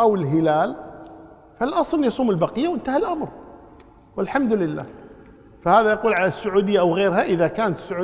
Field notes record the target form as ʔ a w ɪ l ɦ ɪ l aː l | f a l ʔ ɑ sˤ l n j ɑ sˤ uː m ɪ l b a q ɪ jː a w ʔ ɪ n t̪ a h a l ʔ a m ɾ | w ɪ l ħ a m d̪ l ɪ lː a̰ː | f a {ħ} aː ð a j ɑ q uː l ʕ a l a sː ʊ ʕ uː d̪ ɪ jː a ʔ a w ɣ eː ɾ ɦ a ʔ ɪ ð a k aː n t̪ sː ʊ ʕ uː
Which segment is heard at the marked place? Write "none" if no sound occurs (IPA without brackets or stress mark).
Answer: h